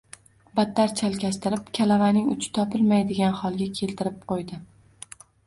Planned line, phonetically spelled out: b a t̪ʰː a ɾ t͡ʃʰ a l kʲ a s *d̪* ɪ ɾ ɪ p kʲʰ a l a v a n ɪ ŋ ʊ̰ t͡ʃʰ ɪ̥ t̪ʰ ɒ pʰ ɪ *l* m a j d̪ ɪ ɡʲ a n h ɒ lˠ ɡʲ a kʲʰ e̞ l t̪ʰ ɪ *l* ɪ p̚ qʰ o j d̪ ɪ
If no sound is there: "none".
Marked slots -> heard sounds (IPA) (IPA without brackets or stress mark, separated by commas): t̪, l, ɾ